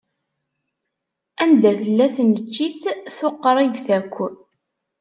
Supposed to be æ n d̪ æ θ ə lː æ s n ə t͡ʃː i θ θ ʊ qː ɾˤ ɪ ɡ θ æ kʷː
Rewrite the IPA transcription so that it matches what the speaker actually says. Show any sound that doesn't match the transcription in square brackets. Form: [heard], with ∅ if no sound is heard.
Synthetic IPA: æ n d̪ æ θ ə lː æ [θ] n ə t͡ʃː i θ θ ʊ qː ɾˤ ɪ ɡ θ æ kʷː